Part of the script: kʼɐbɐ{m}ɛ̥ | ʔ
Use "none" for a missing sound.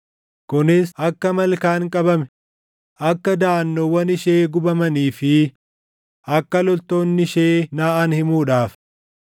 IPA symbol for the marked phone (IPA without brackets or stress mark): m